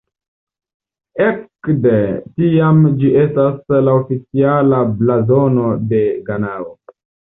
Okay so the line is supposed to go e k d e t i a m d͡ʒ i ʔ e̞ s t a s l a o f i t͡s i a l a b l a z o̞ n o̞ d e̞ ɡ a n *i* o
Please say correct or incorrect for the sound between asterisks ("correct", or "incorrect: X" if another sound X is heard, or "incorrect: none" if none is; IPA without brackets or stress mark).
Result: incorrect: a